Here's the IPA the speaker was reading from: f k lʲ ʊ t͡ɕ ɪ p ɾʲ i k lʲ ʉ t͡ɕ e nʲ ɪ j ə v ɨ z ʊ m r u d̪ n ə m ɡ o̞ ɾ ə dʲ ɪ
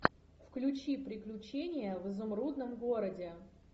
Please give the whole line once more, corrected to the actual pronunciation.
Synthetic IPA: f k lʲ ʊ t͡ɕ i p ɾʲ ɪ k lʲ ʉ t͡ɕ e nʲ ɪ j ə v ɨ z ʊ m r u d̪ n ə m ɡ o̞ ɾ ə dʲ ɪ